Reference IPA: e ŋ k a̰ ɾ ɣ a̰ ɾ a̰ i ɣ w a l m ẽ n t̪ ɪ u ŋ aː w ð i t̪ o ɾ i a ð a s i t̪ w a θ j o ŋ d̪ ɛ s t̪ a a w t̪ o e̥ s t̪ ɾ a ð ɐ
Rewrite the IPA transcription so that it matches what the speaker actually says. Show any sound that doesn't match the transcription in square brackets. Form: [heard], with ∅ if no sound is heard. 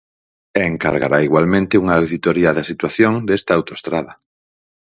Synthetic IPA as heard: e ŋ k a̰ ɾ ɣ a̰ ɾ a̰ i ɣ w a l m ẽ n t̪ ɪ u ŋ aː w ð i t̪ o ɾ i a ð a s i t̪ w a θ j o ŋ d̪ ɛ s t̪ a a w t̪ o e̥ s t̪ ɾ a ð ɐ